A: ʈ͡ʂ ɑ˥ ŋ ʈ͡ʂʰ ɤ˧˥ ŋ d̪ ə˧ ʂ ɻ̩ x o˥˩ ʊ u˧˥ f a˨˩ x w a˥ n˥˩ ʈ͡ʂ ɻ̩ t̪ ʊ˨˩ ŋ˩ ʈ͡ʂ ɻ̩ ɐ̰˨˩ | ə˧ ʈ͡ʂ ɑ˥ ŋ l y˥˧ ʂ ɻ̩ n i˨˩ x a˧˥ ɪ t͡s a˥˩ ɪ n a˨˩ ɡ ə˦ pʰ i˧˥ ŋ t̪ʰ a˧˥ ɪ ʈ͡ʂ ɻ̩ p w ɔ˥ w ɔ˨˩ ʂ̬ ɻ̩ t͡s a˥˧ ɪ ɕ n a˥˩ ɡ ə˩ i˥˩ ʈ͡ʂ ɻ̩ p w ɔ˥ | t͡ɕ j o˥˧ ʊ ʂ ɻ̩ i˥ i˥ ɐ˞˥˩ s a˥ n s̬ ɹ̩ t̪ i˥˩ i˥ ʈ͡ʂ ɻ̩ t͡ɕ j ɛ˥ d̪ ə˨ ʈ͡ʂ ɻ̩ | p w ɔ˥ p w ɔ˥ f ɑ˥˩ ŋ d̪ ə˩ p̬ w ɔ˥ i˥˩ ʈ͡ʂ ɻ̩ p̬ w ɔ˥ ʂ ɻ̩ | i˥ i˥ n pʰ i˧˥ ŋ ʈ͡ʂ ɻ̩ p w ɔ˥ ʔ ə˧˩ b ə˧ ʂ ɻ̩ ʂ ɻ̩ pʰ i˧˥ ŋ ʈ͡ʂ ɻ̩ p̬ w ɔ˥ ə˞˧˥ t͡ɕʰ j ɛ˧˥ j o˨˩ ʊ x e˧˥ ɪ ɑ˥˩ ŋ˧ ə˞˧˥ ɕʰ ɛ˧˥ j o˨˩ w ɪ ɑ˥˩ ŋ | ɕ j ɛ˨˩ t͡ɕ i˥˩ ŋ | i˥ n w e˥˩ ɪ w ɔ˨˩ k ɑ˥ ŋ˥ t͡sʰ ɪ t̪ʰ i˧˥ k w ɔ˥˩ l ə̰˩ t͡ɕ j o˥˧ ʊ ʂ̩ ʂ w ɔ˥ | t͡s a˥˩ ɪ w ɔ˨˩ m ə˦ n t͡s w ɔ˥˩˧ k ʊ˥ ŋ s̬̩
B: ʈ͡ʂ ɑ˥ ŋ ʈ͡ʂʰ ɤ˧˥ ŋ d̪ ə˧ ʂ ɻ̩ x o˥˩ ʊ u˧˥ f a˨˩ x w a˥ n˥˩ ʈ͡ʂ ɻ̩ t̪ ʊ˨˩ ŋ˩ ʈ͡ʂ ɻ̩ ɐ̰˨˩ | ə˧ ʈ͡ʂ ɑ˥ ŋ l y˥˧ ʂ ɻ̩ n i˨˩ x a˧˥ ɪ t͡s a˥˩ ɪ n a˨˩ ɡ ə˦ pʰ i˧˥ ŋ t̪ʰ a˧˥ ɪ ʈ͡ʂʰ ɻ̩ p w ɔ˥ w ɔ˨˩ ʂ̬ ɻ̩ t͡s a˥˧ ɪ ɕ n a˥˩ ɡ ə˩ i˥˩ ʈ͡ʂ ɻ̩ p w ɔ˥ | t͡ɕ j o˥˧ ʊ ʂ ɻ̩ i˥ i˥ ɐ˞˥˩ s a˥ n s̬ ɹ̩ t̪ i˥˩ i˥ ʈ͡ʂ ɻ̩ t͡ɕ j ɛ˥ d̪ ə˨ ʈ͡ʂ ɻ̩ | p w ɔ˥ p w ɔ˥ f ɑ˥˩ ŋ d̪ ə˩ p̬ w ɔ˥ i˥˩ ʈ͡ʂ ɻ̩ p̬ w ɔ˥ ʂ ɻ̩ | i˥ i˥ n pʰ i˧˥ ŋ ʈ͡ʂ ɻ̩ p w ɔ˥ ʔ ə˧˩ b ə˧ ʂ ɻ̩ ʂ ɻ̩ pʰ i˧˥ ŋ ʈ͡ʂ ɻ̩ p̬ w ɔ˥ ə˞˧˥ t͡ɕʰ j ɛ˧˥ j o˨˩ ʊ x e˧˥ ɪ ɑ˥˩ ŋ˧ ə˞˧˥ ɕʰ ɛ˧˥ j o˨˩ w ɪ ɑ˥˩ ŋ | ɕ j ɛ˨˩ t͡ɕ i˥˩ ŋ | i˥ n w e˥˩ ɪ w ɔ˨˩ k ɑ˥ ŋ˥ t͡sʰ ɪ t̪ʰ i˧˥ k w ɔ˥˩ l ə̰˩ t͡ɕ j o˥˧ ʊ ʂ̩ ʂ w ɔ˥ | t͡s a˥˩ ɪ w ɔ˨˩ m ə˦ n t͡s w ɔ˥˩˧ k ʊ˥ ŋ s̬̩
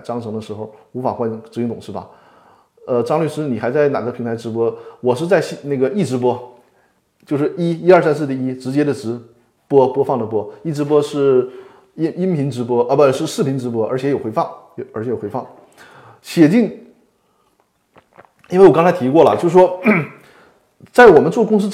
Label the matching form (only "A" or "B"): A